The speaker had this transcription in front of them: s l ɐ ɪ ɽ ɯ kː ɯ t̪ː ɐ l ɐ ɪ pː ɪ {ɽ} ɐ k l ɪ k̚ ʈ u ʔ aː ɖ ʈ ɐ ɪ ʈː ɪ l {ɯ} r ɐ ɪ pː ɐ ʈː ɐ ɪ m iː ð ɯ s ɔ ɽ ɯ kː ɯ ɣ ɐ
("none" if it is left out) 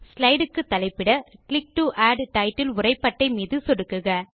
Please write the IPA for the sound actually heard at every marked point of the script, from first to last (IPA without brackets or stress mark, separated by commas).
ɽ, ʊ